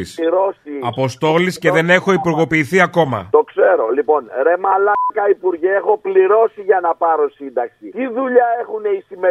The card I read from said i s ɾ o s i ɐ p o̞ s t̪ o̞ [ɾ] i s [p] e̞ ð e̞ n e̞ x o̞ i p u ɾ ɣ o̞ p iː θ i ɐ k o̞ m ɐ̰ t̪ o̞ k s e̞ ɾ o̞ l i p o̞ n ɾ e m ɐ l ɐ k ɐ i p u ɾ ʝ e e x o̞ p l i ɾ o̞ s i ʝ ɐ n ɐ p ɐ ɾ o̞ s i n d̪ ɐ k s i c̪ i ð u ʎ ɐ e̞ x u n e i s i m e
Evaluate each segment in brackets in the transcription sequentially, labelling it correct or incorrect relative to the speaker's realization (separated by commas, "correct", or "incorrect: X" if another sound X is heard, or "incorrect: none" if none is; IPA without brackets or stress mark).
incorrect: l, incorrect: c